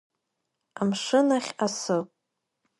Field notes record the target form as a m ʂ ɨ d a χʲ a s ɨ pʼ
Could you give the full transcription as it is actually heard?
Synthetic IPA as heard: a m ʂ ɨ n a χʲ a s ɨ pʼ